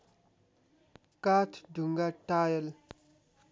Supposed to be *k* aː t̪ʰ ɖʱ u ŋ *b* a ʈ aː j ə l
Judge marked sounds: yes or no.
yes, no

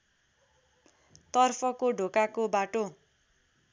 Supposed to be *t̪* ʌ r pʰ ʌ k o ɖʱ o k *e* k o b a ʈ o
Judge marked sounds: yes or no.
yes, no

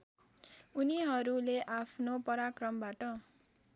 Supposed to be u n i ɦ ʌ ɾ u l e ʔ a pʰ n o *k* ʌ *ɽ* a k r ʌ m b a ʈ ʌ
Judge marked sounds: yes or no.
no, no

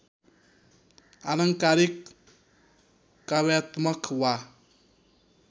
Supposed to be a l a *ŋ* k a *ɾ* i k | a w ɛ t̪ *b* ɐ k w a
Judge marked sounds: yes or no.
yes, yes, no

